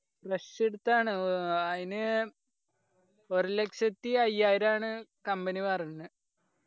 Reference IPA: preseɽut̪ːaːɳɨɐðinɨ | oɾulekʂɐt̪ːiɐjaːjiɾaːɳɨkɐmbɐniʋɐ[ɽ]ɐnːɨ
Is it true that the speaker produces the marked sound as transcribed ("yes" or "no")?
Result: no